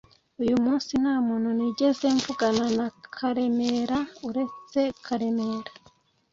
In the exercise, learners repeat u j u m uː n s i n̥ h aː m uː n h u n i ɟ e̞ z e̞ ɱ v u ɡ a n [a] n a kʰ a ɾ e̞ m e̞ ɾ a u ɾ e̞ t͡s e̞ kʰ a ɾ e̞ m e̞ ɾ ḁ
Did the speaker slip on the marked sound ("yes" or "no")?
no